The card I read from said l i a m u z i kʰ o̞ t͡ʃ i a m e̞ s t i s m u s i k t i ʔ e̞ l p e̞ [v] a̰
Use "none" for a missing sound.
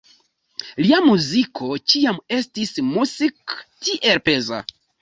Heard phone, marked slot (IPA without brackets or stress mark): z